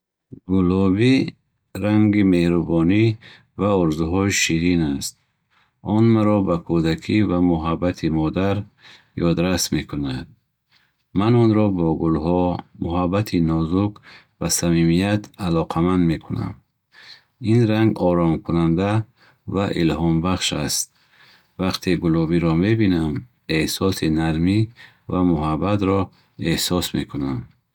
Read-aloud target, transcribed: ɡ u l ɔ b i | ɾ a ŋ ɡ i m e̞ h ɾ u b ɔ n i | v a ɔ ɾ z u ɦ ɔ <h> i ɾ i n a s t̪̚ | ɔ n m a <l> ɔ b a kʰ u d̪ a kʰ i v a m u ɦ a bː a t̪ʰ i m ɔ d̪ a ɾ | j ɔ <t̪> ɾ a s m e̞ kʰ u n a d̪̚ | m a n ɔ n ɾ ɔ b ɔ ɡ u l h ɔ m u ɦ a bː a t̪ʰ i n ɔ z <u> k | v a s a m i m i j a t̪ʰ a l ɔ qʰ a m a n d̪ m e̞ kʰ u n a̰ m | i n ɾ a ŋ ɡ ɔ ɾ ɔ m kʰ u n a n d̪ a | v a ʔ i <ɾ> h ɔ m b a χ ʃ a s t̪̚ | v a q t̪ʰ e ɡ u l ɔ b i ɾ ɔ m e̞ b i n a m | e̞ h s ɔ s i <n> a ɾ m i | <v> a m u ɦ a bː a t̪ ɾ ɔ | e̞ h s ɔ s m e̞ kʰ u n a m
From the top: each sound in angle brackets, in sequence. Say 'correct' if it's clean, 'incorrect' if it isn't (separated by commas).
incorrect, incorrect, incorrect, correct, incorrect, correct, correct